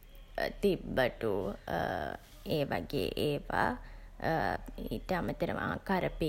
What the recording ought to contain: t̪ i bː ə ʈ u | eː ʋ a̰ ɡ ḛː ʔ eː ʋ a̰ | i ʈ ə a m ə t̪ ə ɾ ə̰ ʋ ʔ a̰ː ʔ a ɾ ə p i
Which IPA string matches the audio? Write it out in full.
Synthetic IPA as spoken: t̪ i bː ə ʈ u | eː ʋ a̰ ɡ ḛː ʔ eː ʋ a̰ | i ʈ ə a m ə t̪ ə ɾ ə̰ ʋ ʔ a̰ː k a ɾ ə p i